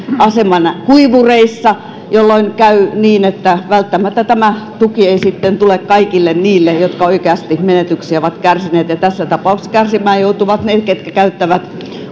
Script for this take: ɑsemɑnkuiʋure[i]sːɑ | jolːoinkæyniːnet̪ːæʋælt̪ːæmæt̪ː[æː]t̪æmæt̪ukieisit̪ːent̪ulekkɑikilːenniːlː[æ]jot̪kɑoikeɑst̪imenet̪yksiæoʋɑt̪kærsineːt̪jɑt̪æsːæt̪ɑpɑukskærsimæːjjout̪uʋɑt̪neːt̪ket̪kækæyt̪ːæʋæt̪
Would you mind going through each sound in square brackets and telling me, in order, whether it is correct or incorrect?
correct, incorrect, incorrect

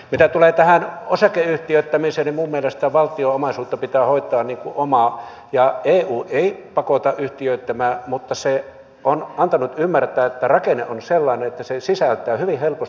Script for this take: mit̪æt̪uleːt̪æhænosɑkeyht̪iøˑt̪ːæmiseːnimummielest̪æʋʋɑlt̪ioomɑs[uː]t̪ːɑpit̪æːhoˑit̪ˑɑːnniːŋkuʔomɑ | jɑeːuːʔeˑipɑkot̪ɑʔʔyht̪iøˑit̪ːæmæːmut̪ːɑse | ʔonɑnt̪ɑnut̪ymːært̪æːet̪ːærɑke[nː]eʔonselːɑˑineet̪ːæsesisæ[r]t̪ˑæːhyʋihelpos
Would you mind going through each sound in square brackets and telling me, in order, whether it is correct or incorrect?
correct, incorrect, incorrect

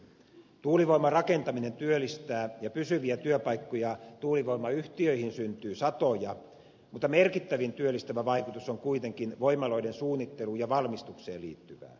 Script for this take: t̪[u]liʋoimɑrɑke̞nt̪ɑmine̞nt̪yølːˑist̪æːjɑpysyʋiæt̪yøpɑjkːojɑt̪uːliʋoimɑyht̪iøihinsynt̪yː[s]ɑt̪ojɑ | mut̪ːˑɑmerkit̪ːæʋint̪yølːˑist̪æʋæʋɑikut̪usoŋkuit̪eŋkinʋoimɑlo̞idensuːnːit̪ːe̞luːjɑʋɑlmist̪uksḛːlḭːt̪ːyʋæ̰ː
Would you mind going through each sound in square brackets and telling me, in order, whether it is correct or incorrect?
incorrect, correct

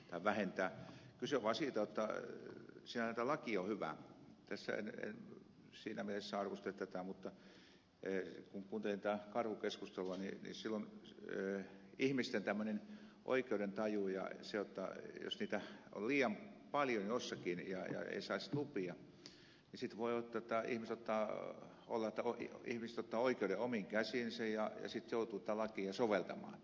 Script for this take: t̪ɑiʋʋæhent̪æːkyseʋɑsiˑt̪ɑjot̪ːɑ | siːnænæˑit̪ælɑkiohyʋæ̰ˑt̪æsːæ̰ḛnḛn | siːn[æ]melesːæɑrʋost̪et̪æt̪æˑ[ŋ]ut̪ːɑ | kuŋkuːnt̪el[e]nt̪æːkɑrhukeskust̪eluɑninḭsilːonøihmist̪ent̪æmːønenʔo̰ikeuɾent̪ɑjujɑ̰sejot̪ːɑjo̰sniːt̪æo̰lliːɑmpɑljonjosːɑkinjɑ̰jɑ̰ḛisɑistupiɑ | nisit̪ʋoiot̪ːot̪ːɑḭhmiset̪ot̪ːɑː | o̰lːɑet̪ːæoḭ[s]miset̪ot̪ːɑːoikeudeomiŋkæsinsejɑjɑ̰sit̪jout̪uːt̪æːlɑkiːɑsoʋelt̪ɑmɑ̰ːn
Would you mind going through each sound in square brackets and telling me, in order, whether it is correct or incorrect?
correct, incorrect, incorrect, incorrect

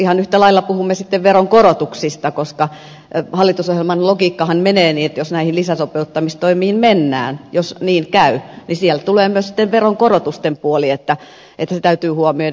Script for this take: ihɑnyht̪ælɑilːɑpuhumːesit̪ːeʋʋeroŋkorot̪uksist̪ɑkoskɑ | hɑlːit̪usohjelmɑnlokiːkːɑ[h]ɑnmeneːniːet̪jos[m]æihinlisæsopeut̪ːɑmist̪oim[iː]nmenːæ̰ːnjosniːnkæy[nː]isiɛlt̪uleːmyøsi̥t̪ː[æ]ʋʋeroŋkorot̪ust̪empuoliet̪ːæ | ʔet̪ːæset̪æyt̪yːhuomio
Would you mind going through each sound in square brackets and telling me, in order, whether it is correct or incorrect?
correct, incorrect, correct, incorrect, incorrect

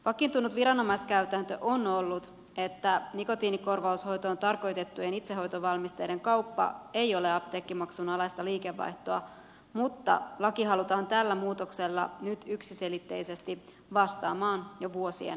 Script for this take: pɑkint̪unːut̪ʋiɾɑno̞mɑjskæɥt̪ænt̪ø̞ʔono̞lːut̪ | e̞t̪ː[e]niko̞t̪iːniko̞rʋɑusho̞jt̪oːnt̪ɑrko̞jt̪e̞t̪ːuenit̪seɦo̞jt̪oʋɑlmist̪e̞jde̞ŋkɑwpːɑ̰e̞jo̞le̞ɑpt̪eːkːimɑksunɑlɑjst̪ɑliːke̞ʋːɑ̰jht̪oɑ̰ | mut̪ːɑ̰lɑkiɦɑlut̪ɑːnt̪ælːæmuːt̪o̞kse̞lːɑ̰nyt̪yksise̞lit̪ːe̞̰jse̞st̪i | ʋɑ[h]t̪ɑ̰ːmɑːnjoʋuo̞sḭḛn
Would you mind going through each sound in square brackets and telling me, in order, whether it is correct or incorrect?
incorrect, incorrect

